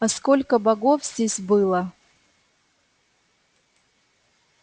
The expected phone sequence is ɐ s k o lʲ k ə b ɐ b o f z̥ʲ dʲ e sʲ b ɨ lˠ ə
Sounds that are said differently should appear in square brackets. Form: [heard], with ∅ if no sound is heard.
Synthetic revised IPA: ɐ s k o lʲ k ə b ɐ [ɡ] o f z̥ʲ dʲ e sʲ b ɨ lˠ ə